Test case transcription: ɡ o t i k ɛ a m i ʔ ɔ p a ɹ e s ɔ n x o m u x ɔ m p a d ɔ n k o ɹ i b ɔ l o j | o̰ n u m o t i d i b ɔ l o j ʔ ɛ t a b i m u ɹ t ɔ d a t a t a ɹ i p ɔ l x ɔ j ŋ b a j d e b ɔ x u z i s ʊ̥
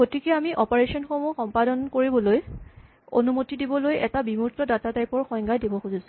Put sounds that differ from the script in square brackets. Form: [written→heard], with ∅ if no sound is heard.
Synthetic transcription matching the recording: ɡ o t i k ɛ a m i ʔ ɔ p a ɹ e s ɔ n x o m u x ɔ m p a d ɔ n k o ɹ i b ɔ l o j | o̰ n u m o t i d i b ɔ l o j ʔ ɛ t a b i m u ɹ t ɔ d a t a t a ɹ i p ɔ [l→ɹ] x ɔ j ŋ [b→ɡ] a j d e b ɔ x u z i s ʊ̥